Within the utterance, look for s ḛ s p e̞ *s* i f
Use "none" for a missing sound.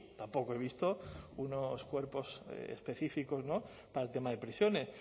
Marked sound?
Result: θ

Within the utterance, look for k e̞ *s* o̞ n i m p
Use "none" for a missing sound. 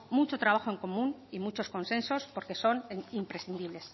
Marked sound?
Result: s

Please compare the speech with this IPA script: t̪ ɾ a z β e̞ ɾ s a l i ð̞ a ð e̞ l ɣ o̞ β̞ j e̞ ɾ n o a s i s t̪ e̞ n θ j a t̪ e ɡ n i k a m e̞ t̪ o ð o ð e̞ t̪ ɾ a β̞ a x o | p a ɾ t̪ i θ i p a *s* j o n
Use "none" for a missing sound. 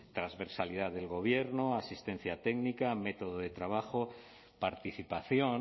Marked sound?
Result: θ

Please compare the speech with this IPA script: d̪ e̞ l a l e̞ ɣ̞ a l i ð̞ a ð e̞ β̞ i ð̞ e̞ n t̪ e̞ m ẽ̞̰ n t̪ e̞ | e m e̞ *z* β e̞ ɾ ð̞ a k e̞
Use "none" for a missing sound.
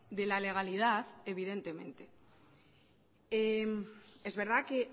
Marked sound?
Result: z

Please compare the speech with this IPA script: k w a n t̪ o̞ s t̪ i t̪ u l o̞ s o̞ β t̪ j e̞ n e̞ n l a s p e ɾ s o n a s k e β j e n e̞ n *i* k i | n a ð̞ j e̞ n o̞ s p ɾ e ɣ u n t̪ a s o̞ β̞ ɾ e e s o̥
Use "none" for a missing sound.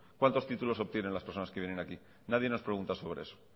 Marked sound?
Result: a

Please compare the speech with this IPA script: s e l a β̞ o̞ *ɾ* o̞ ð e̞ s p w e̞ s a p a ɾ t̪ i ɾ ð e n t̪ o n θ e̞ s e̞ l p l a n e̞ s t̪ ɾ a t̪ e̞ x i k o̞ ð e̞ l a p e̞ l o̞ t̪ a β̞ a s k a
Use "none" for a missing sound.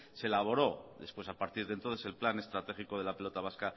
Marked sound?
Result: ɾ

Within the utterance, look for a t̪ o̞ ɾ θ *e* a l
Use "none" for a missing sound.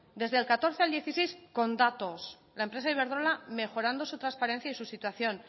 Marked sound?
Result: e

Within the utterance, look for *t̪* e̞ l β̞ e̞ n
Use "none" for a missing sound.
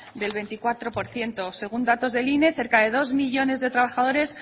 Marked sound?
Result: d̪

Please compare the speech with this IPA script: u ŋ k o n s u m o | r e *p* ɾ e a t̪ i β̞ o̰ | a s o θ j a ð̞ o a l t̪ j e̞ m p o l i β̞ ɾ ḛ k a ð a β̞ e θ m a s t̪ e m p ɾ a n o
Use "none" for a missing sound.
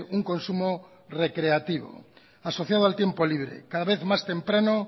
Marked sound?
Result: k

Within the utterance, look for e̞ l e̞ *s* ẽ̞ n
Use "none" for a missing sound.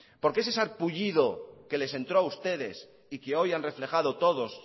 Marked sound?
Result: s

